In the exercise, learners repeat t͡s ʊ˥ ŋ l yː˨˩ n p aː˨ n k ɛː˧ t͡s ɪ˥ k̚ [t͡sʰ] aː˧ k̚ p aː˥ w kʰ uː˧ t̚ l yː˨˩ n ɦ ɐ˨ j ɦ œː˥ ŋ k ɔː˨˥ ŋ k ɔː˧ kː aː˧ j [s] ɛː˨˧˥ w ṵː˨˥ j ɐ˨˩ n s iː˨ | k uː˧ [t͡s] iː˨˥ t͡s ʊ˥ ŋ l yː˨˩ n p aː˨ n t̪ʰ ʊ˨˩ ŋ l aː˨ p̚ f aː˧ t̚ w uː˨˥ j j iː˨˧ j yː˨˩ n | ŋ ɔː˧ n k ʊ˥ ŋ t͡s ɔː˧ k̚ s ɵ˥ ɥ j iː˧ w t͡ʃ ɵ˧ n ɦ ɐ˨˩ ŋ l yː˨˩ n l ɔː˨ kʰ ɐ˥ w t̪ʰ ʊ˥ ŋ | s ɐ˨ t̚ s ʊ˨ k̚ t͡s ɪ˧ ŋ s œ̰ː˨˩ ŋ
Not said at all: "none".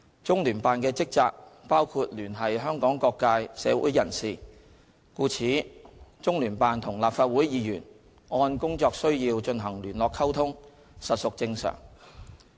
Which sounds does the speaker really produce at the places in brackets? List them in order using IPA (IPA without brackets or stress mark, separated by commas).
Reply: t͡s, s, t͡sʰ